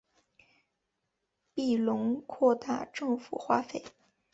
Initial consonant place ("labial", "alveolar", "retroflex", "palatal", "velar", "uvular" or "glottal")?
labial